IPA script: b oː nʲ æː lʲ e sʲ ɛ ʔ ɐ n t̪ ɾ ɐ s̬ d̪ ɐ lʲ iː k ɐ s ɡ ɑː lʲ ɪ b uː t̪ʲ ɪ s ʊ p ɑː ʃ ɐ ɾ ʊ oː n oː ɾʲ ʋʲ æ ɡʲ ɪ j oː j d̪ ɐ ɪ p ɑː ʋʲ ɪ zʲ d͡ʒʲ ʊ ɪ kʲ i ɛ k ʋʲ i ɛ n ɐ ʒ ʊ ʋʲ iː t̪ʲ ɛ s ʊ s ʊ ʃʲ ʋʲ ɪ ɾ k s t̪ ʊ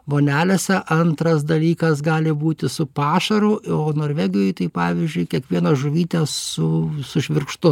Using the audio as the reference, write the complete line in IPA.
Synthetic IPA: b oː nʲ æː lʲ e sʲ ɛ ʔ ɐ n t̪ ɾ ɐ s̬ d̪ ɐ lʲ iː k ɐ s ɡ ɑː lʲ ɪ b uː t̪ʲ ɪ s ʊ p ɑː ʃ ɐ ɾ ʊ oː n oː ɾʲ ʋʲ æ ɡʲ ɪ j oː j t̪ ɐ ɪ p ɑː ʋʲ ɪ zʲ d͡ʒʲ ʊ ɪ kʲ i ɛ k ʋʲ i ɛ n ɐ ʒ ʊ ʋʲ iː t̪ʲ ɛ s ʊ s ʊ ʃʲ ʋʲ ɪ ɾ k ʃ t̪ ʊ